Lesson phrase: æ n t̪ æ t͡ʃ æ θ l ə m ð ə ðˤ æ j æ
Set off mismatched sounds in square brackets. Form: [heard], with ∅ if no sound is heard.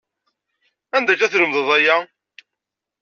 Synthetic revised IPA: æ n [d̪] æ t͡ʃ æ θ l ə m ð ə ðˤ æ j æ